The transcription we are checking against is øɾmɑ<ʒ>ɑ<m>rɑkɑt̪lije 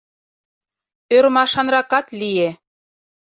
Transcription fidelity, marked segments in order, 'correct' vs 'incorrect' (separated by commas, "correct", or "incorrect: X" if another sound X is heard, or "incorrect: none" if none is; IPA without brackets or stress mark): incorrect: ʃ, incorrect: n